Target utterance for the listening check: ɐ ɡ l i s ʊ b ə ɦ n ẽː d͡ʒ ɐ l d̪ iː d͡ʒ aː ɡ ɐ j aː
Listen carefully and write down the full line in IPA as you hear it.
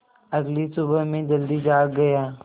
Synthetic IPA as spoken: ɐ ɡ l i s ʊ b ə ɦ m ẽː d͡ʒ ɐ l d̪ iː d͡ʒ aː ɡ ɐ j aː